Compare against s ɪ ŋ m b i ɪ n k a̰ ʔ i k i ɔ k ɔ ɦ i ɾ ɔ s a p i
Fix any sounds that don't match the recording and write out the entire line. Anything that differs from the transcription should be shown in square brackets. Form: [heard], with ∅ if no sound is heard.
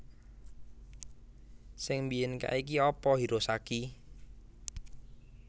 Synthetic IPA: s ɪ ŋ m b i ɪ n k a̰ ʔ i k i ɔ [p] ɔ ɦ i ɾ [o] s a [k] i